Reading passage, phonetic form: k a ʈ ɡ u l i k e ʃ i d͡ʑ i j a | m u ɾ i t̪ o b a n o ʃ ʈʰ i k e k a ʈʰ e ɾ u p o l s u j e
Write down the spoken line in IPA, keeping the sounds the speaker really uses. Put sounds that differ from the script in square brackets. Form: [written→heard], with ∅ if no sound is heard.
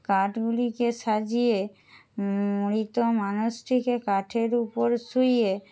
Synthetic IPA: k a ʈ ɡ u l i k e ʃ [i→a] d͡ʑ i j [a→e] | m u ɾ i t̪ o [b→m] a n [o→u] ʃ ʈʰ i k e k a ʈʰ e ɾ u p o [l→ɾ] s u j e